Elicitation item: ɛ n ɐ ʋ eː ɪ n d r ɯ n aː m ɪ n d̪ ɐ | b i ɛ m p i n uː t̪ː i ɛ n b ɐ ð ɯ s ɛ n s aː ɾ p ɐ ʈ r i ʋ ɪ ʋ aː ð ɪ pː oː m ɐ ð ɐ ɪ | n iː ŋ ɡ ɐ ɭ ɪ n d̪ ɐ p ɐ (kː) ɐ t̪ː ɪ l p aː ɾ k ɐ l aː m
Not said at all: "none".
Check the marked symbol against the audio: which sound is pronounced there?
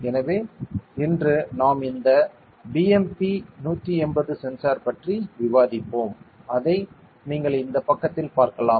kː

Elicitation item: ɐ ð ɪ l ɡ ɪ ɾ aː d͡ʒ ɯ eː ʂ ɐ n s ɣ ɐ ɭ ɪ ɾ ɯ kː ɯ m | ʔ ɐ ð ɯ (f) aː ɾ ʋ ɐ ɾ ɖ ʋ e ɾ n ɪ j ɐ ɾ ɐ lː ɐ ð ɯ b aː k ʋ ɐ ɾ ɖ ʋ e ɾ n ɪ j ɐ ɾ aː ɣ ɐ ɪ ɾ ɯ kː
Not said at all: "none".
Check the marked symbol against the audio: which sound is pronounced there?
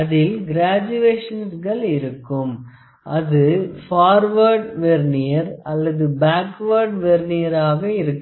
f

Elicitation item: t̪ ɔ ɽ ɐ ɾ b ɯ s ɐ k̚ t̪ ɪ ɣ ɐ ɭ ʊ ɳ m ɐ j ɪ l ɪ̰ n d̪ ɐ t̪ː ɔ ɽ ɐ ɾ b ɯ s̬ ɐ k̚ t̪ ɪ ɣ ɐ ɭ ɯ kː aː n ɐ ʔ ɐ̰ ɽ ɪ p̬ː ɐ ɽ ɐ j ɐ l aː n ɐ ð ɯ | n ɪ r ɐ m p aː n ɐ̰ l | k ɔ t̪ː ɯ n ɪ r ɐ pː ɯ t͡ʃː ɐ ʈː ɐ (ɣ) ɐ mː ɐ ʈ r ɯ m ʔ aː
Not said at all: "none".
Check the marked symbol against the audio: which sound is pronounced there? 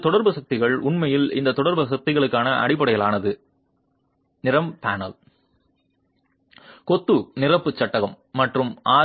ɣ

